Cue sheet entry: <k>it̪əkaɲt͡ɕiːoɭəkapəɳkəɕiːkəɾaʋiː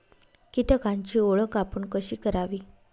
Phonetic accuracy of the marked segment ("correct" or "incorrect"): correct